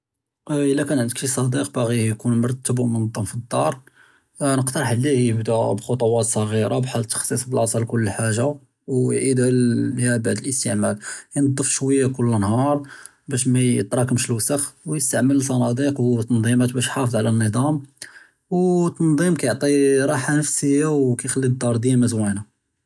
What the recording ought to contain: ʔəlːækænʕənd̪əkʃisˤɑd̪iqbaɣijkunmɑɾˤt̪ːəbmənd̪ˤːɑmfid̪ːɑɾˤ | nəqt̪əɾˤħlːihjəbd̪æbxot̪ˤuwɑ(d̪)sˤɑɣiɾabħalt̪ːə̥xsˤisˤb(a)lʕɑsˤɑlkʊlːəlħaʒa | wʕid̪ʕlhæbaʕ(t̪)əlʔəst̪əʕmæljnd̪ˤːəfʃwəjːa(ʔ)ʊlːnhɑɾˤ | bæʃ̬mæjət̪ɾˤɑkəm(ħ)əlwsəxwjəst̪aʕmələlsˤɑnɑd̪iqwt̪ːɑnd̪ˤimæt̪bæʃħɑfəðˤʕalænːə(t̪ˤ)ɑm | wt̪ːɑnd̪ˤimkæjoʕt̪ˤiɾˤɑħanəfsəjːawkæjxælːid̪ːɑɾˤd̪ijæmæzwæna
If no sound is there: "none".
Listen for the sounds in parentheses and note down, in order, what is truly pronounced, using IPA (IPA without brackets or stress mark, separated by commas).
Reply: t̪, ə, d̪, k, ʃ, d̪ˤ